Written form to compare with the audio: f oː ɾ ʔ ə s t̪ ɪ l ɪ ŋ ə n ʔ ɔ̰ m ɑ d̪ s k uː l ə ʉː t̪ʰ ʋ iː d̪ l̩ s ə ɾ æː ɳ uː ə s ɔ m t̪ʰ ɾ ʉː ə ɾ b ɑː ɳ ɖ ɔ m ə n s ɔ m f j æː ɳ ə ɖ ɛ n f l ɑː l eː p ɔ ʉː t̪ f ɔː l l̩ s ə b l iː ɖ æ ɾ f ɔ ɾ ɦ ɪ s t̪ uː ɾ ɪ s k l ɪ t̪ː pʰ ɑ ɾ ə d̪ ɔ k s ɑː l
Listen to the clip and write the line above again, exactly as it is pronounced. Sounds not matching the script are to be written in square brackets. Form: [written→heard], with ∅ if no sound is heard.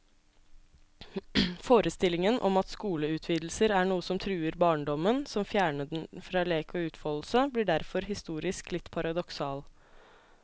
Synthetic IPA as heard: f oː ɾ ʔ ə s t̪ ɪ l ɪ ŋ ə n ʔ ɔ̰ m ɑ [d̪→t̪] s k uː l ə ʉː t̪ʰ ʋ iː d̪ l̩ s ə ɾ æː ɳ uː ə s ɔ m t̪ʰ ɾ ʉː ə ɾ b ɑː ɳ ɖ ɔ m ə n s ɔ m f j æː ɳ ə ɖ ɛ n f [l→ɾ] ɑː l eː [p→k] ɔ ʉː t̪ f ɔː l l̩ s ə b l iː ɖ æ ɾ f ɔ ɾ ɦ ɪ s t̪ uː ɾ ɪ s k l ɪ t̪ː pʰ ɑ ɾ [ə→ɑ] d̪ ɔ k s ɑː l